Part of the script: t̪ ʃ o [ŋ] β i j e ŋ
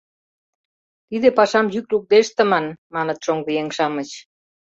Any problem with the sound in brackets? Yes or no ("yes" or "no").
no